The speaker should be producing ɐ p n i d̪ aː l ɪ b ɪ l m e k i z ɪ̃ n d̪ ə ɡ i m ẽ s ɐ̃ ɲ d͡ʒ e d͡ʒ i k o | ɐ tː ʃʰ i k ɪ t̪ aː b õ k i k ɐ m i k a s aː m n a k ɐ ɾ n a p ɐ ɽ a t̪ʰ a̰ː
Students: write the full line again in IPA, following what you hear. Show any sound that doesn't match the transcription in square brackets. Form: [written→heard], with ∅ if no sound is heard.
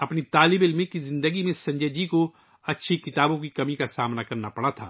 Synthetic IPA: ɐ p n i [d̪→t̪] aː l ɪ b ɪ l m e k i z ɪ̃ n d̪ ə ɡ i m ẽ s ɐ̃ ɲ d͡ʒ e d͡ʒ i k o | ɐ tː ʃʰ i k ɪ t̪ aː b õ k i k ɐ m i k a s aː m n a k ɐ ɾ n a p ɐ ɽ a t̪ʰ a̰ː